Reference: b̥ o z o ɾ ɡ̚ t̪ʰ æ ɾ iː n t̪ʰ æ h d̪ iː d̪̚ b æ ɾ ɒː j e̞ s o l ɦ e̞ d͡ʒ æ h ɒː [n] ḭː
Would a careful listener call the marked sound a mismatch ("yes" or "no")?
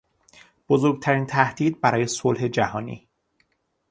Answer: no